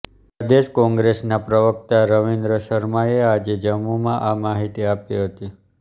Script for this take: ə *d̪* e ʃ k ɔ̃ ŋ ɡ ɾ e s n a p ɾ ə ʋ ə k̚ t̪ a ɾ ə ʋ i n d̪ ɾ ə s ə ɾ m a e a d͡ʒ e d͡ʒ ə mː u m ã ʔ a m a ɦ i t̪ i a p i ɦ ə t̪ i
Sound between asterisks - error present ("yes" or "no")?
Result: no